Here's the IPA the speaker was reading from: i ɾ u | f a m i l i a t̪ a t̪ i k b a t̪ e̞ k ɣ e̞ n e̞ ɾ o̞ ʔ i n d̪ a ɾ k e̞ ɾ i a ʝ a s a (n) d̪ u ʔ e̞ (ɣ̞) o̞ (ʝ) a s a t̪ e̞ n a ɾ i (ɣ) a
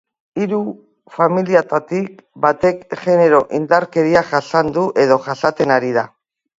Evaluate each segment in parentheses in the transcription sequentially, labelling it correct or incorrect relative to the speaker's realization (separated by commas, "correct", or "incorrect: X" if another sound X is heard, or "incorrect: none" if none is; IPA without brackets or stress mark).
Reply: correct, incorrect: ð̞, correct, incorrect: ð